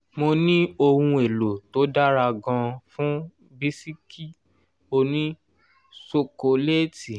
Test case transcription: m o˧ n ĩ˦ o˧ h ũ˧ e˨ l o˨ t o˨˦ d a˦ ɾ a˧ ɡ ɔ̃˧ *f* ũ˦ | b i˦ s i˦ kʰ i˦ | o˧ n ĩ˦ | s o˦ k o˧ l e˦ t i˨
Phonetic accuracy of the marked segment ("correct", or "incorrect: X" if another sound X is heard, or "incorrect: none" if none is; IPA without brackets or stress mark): correct